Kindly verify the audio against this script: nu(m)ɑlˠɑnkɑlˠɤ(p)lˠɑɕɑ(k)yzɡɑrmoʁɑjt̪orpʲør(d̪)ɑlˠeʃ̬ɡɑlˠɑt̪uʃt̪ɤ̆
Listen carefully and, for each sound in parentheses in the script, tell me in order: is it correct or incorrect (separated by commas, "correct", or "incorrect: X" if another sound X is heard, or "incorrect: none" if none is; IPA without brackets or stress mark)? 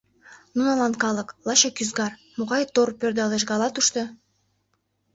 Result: incorrect: n, incorrect: k, correct, correct